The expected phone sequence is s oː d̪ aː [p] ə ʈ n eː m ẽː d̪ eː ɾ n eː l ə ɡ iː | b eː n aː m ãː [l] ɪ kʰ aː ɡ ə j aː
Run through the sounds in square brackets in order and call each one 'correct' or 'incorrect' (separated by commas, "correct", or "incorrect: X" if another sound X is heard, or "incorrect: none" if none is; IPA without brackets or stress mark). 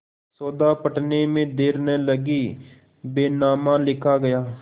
correct, correct